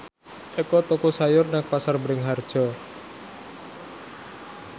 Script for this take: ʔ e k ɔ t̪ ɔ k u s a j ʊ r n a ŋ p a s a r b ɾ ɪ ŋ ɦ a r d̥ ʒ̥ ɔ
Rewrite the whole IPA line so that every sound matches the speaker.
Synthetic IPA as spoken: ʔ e k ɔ t̪ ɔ k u s a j ʊ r n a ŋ p a s a r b ɾ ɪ ŋ ɦ a r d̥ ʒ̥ ɔ